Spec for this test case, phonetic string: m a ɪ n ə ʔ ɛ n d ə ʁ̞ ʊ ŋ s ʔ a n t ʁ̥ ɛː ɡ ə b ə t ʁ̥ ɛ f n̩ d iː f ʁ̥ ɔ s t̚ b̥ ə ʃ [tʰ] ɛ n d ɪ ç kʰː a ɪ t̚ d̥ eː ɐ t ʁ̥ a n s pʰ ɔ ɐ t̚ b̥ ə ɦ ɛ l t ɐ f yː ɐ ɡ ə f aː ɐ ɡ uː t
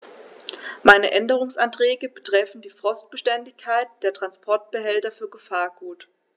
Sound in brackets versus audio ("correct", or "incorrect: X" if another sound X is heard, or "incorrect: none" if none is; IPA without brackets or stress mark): incorrect: t